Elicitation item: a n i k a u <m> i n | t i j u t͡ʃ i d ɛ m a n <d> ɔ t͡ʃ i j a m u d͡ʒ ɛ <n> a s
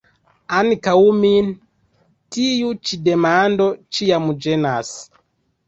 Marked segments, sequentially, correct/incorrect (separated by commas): correct, correct, correct